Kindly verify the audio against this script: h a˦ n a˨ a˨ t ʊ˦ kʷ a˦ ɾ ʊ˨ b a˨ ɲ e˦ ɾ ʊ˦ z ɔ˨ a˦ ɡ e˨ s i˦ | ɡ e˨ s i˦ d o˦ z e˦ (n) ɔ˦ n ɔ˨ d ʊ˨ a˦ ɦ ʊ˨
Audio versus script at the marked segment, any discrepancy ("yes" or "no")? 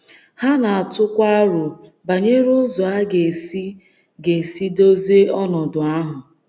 yes